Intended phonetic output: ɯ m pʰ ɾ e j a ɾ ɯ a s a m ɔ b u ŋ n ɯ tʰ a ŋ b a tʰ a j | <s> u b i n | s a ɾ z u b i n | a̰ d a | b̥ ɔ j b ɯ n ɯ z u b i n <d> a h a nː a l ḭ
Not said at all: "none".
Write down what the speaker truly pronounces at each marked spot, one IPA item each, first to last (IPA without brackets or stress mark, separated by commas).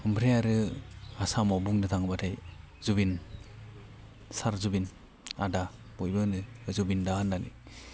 z, d